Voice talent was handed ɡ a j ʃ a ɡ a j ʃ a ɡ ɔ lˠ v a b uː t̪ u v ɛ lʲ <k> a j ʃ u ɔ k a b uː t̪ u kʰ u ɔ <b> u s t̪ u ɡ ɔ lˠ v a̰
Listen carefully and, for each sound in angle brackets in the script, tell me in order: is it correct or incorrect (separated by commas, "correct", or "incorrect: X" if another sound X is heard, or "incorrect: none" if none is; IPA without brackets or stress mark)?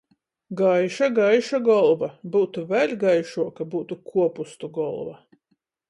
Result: incorrect: ɡ, incorrect: p